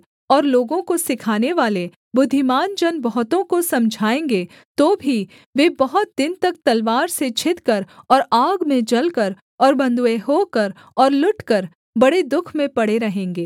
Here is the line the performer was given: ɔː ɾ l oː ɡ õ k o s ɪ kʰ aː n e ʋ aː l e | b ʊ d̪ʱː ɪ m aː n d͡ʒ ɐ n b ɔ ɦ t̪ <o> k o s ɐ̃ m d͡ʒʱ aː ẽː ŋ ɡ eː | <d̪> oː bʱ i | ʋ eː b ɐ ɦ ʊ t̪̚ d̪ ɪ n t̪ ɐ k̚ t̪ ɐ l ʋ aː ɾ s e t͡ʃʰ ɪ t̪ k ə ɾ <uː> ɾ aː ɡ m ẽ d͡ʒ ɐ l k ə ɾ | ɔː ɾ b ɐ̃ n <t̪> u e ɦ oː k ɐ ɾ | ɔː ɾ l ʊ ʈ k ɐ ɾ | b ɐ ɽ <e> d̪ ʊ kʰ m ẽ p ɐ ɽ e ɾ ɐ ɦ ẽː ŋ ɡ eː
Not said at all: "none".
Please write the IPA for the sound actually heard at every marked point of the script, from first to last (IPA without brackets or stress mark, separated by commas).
õ, t̪, ɔː, d̪, e